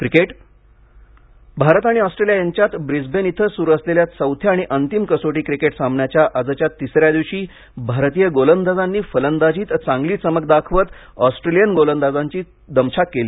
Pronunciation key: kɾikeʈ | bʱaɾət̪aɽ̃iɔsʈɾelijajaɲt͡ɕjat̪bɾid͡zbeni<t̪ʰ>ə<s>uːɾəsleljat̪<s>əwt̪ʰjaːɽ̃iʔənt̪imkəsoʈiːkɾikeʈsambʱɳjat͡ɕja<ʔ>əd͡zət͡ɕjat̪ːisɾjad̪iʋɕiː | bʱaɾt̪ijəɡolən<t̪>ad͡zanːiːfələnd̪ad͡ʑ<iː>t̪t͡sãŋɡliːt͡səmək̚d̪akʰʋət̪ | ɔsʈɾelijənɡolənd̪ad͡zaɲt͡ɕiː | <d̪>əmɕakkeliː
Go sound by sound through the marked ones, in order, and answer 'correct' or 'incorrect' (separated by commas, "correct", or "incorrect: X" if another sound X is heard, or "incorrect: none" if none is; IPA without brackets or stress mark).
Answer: correct, correct, correct, correct, incorrect: d̪, correct, correct